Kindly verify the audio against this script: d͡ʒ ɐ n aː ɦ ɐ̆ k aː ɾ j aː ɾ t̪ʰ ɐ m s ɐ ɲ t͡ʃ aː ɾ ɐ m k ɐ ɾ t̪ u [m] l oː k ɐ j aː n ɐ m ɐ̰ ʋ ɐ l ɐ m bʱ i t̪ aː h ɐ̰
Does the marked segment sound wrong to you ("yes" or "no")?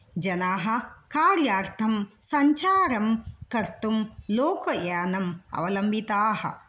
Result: no